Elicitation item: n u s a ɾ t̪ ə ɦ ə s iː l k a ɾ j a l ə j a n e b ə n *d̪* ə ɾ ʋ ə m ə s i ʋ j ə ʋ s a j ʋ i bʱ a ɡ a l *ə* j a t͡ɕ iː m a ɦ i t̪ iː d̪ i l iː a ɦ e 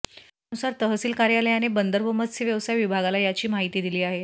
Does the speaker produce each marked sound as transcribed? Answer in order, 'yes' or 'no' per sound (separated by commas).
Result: yes, no